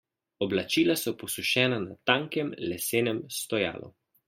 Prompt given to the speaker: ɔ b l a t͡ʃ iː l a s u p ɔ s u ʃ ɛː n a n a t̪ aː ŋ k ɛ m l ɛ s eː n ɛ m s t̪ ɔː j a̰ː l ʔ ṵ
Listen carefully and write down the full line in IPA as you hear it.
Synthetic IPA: ɔ b l a t͡ʃ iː l a s ɔ p ɔ s u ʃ ɛː n a n a t̪ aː ŋ k ɛ m l ɛ s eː n ɛ m s t̪ ɔ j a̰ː l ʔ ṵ